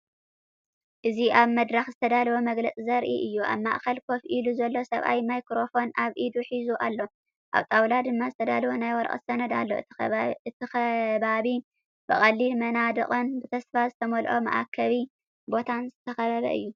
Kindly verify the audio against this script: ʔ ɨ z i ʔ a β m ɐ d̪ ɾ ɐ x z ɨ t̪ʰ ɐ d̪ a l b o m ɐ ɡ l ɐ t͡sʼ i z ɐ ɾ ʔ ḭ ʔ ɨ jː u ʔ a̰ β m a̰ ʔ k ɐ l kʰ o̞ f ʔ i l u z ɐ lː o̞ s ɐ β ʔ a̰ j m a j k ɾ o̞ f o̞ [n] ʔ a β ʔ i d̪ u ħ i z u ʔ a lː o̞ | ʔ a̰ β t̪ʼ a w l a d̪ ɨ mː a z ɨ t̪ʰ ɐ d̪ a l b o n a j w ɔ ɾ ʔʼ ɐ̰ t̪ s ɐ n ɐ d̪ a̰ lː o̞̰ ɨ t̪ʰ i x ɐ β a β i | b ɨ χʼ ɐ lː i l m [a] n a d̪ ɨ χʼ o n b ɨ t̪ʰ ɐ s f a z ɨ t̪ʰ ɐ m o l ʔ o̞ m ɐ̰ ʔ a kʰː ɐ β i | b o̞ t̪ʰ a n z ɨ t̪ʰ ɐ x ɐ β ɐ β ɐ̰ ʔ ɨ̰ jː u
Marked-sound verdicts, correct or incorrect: correct, incorrect

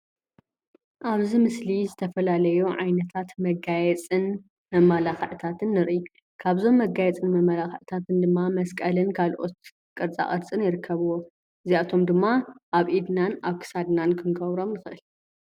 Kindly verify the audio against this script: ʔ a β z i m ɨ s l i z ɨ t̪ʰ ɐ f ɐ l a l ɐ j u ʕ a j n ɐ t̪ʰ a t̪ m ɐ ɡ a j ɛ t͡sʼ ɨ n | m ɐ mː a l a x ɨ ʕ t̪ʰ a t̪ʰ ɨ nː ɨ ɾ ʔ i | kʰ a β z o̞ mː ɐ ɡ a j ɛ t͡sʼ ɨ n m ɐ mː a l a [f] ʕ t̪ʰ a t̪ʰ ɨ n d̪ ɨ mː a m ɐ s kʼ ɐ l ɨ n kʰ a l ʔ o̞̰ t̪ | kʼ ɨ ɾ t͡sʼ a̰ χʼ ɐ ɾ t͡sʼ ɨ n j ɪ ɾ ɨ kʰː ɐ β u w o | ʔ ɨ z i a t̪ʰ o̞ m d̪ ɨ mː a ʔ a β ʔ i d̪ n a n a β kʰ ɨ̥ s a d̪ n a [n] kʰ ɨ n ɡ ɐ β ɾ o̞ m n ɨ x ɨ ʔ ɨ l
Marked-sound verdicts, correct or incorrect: incorrect, correct

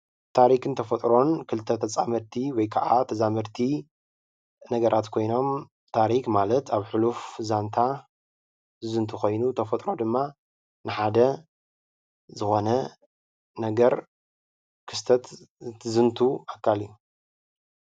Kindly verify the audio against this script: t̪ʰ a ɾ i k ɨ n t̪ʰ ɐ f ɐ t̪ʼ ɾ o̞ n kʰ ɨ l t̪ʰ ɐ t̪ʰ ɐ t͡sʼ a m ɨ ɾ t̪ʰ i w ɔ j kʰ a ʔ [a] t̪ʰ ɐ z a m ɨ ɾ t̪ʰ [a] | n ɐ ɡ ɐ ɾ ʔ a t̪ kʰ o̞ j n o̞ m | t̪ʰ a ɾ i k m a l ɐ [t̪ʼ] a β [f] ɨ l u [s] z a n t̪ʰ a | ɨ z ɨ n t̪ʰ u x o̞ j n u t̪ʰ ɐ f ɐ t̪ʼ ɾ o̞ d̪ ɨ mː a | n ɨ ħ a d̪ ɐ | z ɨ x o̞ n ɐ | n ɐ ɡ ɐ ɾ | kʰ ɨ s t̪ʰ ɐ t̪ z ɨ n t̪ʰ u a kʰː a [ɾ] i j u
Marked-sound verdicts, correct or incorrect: correct, incorrect, incorrect, incorrect, incorrect, incorrect

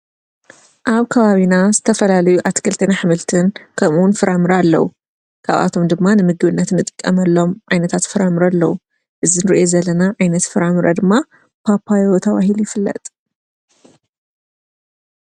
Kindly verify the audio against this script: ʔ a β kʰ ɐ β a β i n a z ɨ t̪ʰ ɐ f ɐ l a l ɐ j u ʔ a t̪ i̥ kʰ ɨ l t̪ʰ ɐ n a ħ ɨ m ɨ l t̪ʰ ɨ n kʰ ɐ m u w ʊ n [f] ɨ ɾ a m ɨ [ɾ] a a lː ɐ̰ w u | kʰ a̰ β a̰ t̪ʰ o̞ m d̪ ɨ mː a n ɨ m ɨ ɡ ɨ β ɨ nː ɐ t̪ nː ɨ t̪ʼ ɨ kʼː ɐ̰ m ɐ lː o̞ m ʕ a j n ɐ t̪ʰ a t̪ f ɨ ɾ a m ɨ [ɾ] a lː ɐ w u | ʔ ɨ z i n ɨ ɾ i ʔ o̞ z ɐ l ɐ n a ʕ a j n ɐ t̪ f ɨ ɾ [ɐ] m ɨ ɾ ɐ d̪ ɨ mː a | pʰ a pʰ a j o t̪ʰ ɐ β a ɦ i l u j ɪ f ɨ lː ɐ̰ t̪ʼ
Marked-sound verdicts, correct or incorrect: correct, correct, correct, incorrect

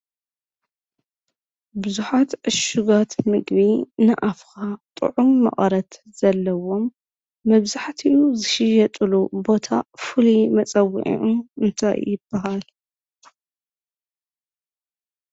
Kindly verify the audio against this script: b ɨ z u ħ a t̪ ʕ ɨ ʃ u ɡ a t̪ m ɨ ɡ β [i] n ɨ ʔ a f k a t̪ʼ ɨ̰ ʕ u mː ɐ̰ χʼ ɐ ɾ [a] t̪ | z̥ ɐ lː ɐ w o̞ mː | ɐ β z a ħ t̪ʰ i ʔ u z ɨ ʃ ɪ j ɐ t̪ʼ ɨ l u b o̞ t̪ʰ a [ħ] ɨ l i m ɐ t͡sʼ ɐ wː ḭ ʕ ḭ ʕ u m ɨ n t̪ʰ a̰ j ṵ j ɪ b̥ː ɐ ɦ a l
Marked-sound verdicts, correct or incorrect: correct, incorrect, incorrect

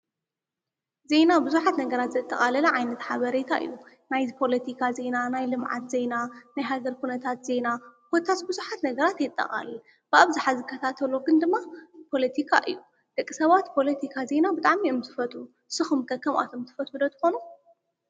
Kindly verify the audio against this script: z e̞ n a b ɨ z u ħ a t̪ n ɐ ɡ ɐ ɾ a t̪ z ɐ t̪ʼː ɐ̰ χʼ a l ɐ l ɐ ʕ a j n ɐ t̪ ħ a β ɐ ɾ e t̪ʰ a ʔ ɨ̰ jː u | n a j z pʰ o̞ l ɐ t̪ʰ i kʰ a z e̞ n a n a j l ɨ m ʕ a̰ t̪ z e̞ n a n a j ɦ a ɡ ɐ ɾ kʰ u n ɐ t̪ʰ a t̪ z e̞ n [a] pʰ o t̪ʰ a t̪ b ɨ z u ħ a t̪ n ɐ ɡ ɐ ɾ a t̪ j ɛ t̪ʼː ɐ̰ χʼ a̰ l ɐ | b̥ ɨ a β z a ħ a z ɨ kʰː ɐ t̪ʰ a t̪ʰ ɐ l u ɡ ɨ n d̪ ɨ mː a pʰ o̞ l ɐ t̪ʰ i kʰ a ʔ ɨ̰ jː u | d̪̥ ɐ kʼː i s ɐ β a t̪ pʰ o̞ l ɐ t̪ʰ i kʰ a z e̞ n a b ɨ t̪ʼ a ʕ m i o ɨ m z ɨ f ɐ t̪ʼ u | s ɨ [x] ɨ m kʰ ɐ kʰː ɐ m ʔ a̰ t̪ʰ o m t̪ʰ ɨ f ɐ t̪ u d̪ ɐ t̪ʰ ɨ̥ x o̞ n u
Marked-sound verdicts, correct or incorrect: correct, correct

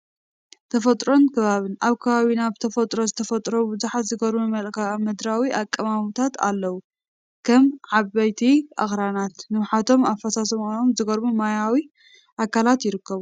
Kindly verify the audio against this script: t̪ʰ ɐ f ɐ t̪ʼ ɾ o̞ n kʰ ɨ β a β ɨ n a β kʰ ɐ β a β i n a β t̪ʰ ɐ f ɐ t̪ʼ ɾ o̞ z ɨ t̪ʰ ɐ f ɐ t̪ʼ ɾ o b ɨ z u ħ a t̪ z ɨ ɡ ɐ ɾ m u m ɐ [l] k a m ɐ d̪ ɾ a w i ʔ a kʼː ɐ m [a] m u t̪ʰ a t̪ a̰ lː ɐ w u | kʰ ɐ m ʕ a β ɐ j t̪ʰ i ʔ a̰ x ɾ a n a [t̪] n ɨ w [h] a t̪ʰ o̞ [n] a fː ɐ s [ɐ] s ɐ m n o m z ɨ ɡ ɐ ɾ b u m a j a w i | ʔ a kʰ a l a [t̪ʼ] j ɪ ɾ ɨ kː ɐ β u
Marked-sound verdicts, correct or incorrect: correct, correct, correct, incorrect, incorrect, incorrect, incorrect

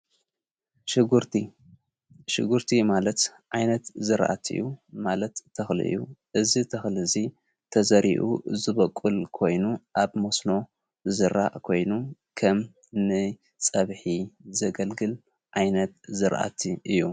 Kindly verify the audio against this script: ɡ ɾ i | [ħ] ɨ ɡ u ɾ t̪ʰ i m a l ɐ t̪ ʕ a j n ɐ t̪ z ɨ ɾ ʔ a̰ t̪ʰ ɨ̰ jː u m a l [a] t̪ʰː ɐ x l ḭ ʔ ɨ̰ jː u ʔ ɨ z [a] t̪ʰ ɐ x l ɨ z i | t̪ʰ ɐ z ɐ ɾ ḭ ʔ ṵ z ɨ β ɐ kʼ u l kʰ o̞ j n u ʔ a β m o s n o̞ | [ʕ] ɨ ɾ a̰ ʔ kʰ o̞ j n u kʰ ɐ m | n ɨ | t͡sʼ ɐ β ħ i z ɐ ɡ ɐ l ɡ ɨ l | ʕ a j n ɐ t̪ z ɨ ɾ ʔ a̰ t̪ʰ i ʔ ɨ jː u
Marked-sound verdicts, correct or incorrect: incorrect, incorrect, incorrect, incorrect

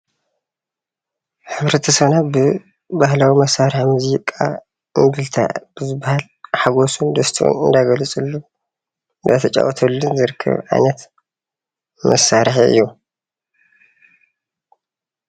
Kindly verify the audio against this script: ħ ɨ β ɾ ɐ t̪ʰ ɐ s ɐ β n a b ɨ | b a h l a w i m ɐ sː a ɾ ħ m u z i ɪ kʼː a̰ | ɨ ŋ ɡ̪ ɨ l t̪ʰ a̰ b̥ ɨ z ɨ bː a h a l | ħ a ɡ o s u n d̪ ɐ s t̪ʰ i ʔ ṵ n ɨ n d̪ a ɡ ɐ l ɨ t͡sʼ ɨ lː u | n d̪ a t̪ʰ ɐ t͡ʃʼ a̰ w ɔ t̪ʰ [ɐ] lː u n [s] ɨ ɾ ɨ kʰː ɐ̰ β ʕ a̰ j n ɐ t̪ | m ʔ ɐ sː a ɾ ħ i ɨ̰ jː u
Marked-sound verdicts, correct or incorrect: correct, incorrect

